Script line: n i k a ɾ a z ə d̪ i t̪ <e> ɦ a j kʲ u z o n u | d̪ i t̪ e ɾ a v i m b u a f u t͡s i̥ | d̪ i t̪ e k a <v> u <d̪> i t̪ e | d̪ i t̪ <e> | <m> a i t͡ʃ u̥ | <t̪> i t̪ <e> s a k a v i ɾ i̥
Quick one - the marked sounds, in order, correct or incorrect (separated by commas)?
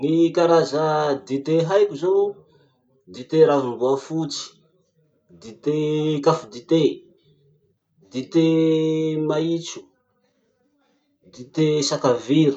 correct, incorrect, correct, correct, correct, incorrect, correct